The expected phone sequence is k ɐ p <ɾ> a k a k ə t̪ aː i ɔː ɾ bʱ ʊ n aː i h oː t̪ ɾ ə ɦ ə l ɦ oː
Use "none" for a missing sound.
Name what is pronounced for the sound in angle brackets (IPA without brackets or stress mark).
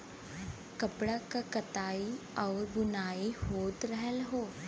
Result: ɽ